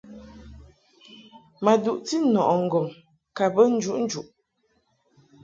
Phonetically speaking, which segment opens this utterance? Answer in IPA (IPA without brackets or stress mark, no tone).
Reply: m